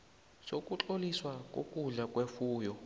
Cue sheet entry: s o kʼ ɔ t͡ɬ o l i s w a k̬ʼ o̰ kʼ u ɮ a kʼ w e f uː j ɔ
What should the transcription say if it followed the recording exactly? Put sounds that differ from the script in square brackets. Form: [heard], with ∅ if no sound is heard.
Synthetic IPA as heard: s o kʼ [u] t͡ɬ o l i s w a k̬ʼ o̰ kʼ u ɮ a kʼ w e f uː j ɔ